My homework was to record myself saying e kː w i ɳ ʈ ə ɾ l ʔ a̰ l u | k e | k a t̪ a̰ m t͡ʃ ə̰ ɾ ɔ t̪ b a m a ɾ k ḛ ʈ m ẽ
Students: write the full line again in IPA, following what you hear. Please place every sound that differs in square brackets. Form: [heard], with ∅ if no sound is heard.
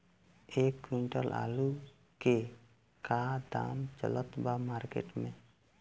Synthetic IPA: e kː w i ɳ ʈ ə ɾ l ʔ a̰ l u | k e | k a [d̪] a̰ m t͡ʃ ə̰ [l] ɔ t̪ b a m a ɾ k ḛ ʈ m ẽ